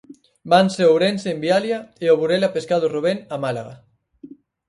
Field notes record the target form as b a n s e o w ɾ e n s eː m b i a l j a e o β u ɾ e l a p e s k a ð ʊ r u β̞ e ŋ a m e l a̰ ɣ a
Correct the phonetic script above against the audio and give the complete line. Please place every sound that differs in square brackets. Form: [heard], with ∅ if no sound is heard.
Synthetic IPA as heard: b a n s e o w ɾ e n s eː m b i a l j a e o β u ɾ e l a p e s k a ð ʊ r u β̞ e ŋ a m [a] l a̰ ɣ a

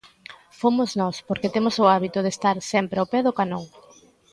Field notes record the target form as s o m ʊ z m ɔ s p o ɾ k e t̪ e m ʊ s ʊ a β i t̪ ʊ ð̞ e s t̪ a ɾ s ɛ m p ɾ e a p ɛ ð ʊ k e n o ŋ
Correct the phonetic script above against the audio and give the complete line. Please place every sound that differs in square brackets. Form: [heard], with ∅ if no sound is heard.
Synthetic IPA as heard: [f] o m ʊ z [n] ɔ s p o ɾ k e t̪ e m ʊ s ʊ a β i t̪ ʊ ð̞ e s t̪ a ɾ s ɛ m p ɾ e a p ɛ ð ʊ k [a] n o ŋ

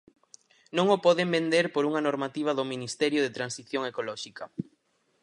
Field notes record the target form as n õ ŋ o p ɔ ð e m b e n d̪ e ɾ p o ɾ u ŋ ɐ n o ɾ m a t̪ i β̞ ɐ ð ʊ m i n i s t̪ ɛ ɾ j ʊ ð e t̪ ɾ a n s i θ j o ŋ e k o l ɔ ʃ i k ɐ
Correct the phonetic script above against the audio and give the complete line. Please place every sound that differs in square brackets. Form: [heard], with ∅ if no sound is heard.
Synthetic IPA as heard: n õ ŋ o p ɔ ð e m b e n d̪ e ɾ p o ɾ u ŋ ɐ n o ɾ m a t̪ i β̞ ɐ ð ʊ m i n i s t̪ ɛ ɾ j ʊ ð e t̪ ɾ a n s i θ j o ŋ e k o l ɔ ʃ i k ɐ

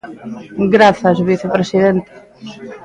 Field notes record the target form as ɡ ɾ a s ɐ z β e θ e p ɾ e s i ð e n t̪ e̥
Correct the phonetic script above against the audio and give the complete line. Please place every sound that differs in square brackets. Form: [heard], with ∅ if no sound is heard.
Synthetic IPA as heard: ɡ ɾ a [θ] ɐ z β [i] θ e p ɾ e s i ð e n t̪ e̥

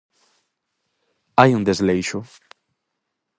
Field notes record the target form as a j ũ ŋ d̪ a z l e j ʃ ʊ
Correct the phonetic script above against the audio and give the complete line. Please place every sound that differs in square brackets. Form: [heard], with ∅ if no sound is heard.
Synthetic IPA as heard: a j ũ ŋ d̪ [e] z l e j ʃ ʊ

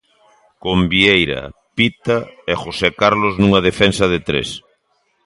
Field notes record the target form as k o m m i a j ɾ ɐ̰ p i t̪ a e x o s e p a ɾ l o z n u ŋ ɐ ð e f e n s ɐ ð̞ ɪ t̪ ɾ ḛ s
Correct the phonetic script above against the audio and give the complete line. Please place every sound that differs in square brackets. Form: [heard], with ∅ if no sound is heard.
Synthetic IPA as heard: k o m [b] i [e] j ɾ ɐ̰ p i t̪ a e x o s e [k] a ɾ l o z n u ŋ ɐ ð e f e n s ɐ ð̞ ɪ t̪ ɾ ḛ s

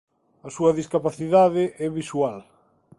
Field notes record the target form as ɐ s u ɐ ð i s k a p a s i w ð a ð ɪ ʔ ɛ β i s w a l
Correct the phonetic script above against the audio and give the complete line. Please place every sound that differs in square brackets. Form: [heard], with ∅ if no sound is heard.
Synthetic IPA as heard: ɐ s u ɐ ð i s k a p a [θ] i [∅] ð a ð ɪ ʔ ɛ β i s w a l

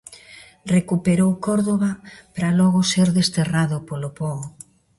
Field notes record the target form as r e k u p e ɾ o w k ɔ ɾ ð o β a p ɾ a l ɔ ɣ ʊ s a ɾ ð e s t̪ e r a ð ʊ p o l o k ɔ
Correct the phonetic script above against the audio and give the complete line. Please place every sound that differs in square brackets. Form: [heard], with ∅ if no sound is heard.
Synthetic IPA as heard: r e k u p e ɾ o w k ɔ ɾ ð o β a p ɾ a l ɔ ɣ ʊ s [e] ɾ ð e s t̪ e r a ð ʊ p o l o [p] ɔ

